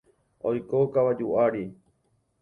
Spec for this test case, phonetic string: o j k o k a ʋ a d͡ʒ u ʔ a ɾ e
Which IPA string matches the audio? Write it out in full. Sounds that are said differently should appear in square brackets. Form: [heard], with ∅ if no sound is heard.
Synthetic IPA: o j k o k a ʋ a d͡ʒ u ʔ a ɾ [i]

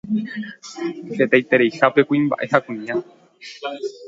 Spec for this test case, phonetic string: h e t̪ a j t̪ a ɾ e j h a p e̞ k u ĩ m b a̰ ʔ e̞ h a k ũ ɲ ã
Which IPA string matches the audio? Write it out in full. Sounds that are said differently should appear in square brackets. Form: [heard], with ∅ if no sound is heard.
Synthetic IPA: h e t̪ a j t̪ [e] ɾ e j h a p e̞ k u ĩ m b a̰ ʔ e̞ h a k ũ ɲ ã

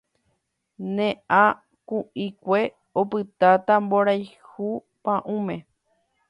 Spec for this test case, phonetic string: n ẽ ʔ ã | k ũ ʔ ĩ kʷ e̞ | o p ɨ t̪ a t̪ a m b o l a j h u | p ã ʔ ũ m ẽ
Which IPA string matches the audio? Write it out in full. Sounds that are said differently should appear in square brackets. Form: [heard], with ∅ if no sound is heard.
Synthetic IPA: n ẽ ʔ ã | k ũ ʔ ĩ kʷ e̞ | o p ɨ t̪ a t̪ a m b o [ɾ] a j h u | p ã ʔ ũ m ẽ

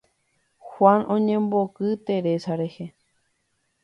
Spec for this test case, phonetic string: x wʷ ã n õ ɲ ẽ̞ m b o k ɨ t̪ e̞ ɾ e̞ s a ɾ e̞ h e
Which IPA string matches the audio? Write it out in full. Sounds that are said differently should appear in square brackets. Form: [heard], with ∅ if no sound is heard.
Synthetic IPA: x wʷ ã n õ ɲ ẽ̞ m b o k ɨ t̪ e̞ ɾ e̞ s a ɾ e̞ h e

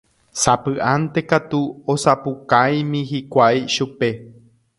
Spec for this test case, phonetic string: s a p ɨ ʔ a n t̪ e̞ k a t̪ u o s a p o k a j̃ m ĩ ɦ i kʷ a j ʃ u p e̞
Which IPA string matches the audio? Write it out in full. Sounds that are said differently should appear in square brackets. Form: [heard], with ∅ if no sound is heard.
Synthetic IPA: s a p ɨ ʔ a n t̪ e̞ k a t̪ u o s a p [u] k a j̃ m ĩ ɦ i kʷ a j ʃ u p e̞

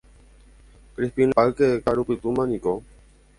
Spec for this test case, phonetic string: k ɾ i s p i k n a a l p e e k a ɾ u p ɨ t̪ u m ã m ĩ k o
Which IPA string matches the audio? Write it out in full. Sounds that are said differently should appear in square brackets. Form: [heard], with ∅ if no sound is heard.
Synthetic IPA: k ɾ i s p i [∅] n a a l [k] e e k a ɾ u p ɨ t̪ u m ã [n] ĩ k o

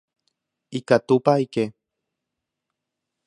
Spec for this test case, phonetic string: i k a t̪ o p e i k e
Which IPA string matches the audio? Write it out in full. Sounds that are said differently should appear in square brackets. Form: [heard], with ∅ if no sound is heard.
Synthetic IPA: i k a t̪ [u] p [a] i k e

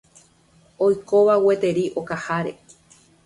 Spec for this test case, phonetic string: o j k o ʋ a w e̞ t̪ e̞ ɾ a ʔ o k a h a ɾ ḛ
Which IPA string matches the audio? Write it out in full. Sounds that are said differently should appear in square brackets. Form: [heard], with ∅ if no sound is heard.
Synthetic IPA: o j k o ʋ a w e̞ t̪ e̞ ɾ [i] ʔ o k a h a ɾ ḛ

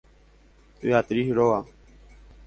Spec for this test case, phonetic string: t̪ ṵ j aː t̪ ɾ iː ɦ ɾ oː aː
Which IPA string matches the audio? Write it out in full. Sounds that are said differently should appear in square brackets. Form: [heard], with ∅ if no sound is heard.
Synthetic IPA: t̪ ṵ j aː t̪ ɾ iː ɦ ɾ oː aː

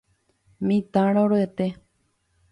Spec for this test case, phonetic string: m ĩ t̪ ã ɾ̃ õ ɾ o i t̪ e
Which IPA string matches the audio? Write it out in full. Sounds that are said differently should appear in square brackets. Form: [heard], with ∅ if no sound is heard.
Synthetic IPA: m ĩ t̪ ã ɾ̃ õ ɾ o [e] t̪ e

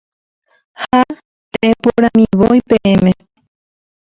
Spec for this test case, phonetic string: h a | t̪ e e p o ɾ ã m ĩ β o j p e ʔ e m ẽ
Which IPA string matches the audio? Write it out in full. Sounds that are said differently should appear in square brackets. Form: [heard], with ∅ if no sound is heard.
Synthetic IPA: h a | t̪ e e p o ɾ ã m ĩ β o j p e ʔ e m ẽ

